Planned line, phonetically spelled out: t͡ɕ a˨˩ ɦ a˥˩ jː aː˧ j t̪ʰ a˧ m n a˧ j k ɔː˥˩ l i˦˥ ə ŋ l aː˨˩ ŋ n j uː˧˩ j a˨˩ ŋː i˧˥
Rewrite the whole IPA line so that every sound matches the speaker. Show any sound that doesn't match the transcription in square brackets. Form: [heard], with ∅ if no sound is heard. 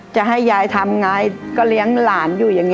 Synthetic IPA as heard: t͡ɕ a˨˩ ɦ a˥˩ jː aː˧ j t̪ʰ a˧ m [ŋ] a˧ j k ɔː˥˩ l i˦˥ ə ŋ l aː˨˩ [∅] n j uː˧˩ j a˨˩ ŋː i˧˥